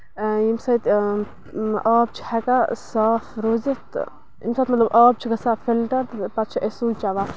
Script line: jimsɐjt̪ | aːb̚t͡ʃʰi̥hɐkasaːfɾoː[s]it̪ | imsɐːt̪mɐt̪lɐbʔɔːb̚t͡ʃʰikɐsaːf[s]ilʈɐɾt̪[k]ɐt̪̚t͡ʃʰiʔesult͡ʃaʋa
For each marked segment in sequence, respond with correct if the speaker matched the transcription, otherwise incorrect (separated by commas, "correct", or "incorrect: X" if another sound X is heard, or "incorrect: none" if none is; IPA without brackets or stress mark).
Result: incorrect: z, incorrect: f, incorrect: p